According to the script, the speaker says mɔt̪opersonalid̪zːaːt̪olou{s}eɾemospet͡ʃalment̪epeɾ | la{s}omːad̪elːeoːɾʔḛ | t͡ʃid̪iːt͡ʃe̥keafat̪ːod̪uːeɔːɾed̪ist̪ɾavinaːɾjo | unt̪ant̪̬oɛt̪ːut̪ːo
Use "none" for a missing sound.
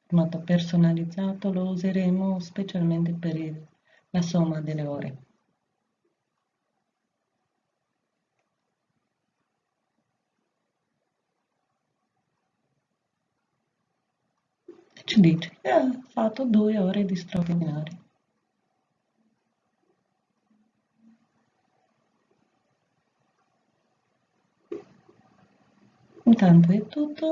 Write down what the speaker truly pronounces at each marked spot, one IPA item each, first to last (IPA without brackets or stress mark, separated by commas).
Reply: z, s